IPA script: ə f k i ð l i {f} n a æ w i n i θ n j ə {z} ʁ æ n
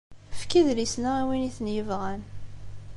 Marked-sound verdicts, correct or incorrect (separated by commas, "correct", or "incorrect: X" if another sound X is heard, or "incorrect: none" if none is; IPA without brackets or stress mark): incorrect: s, incorrect: v